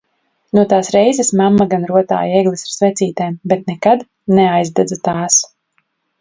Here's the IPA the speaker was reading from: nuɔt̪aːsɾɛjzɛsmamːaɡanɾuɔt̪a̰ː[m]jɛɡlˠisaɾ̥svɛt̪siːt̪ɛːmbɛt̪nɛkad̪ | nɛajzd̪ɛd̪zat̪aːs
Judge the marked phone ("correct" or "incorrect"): incorrect